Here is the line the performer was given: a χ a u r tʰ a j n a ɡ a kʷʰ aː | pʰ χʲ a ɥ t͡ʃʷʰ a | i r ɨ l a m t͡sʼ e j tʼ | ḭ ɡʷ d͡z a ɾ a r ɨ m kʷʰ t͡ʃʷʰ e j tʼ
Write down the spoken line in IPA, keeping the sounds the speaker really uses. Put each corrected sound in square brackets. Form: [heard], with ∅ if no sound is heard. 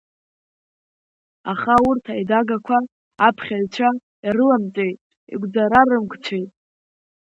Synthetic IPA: a χ a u r tʰ a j [d] a ɡ a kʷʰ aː | pʰ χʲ a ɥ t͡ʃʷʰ a | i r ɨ l a m t͡sʼ e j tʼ | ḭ ɡʷ d͡z a ɾ a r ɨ m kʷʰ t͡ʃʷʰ e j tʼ